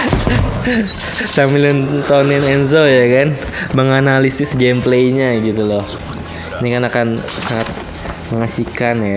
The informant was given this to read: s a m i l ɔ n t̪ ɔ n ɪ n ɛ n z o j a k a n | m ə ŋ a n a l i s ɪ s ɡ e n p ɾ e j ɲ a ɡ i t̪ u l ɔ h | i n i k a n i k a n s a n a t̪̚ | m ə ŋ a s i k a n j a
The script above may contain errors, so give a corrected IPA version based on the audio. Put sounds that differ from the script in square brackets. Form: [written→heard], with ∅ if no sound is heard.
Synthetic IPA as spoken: s a m i l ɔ n t̪ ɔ n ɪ n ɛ n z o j a k a n | m ə ŋ a n a l i s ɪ s ɡ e [n→m] p [ɾ→l] e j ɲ a ɡ i t̪ u l ɔ h | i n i k a n [i→a] k a n s a [n→ŋ] a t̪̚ | m ə ŋ a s i k a n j a